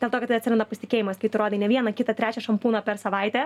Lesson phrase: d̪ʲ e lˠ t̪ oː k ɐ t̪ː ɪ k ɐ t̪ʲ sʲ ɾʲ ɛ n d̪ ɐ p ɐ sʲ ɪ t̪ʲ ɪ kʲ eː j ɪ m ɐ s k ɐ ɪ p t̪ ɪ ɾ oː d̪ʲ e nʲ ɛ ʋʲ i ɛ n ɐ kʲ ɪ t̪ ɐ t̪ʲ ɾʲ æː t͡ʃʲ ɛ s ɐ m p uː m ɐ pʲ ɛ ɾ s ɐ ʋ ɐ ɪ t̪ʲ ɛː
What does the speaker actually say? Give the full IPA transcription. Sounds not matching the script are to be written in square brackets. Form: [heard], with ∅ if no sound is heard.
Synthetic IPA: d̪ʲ e lˠ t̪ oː k ɐ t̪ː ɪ [∅] ɐ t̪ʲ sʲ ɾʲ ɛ n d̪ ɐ p ɐ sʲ ɪ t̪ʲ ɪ kʲ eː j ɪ m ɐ s k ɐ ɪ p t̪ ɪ ɾ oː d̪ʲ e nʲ ɛ ʋʲ i ɛ n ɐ kʲ ɪ t̪ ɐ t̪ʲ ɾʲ æː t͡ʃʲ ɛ [ʃ] ɐ m p uː [n] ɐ pʲ ɛ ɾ s ɐ ʋ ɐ ɪ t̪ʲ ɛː